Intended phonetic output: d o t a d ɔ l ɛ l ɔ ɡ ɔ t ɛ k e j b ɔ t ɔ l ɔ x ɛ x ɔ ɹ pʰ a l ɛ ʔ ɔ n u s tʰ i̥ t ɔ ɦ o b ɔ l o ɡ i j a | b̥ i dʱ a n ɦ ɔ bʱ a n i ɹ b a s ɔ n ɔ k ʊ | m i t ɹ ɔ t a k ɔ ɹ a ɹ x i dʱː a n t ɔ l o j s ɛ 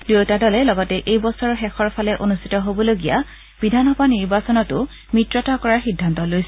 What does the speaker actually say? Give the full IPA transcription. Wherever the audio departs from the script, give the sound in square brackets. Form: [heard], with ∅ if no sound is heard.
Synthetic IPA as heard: d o t a d ɔ l ɛ l ɔ ɡ ɔ t ɛ [ʔ] e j b ɔ [s] ɔ [ɹ] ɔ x ɛ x ɔ ɹ pʰ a l ɛ ʔ [o] n u s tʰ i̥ t ɔ ɦ o b ɔ l o ɡ i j a | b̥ i dʱ a n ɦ ɔ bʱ a n i ɹ b a s ɔ n ɔ [t] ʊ | m i t ɹ ɔ t a k ɔ ɹ a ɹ x i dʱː a n t ɔ l o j s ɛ